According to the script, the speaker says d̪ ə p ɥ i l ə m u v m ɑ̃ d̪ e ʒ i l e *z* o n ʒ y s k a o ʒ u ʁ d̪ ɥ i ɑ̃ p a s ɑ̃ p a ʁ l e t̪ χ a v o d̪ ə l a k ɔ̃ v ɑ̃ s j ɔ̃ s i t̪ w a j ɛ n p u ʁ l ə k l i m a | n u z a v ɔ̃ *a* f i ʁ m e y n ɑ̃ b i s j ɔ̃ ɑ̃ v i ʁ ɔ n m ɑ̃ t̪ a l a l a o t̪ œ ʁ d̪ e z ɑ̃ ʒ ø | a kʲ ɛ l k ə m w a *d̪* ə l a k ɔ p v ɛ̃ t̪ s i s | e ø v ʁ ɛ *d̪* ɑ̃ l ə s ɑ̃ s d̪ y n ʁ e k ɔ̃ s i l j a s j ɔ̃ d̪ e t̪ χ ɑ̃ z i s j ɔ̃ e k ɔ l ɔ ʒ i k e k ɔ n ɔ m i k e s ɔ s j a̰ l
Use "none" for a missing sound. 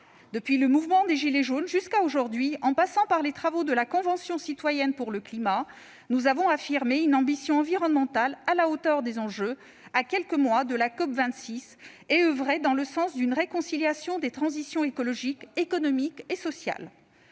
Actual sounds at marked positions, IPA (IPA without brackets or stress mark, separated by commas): ʒ, a, d̪, d̪